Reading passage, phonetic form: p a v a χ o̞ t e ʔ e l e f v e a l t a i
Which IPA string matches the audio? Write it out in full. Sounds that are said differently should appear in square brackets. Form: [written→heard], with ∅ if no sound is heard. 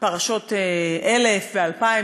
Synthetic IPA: p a [v→ʁ] a [χ→ʃ] o̞ t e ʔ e l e f v e a l [t→p] a i